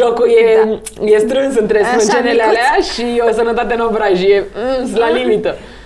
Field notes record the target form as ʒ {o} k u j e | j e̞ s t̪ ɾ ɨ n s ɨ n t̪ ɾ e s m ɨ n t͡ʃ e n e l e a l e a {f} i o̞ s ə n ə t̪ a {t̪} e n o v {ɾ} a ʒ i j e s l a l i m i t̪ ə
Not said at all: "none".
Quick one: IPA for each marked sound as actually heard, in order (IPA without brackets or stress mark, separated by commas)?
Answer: o, ʃ, t̪, ɾ